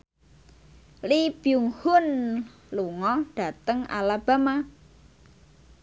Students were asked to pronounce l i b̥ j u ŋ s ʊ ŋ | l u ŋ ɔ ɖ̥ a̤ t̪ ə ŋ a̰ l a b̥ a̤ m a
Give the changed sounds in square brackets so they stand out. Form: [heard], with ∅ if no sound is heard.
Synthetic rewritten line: l i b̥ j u ŋ [h] ʊ [n] | l u ŋ ɔ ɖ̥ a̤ t̪ ə ŋ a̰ l a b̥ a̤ m a